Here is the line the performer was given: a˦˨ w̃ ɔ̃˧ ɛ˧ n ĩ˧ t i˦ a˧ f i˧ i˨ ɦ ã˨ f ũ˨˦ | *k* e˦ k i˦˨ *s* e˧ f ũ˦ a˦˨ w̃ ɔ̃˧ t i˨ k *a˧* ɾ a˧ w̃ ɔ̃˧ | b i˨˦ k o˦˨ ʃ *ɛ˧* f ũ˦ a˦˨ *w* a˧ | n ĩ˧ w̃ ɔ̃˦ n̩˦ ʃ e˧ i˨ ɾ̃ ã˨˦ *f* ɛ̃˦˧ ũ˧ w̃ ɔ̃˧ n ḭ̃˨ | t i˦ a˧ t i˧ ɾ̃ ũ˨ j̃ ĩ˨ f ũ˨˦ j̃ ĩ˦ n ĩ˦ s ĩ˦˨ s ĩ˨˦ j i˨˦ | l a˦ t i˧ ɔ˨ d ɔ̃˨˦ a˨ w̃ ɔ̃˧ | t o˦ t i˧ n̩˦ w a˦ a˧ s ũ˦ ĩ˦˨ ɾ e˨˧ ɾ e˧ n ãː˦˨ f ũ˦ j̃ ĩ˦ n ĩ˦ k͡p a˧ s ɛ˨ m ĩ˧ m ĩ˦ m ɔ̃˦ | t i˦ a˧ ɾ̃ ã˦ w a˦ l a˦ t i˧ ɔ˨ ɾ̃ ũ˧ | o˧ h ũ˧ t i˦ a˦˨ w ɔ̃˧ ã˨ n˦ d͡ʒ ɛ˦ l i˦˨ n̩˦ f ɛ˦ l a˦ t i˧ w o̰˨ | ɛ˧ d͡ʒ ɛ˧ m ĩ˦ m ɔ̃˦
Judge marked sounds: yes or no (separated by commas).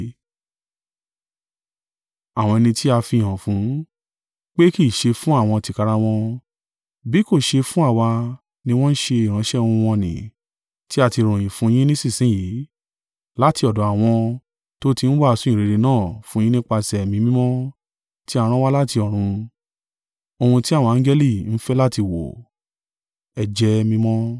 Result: no, no, yes, no, yes, no